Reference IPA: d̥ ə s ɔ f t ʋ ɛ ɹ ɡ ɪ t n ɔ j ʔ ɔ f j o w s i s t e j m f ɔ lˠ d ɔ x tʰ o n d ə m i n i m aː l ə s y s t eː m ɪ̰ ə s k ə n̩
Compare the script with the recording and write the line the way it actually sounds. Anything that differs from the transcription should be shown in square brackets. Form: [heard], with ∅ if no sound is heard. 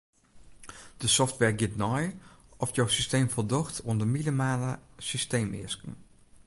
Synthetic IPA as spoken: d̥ ə s ɔ f t ʋ ɛ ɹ ɡ ɪ t n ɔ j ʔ ɔ f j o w s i s t e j m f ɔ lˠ d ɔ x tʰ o n d ə m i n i m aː l ə s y s t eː m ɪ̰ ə s k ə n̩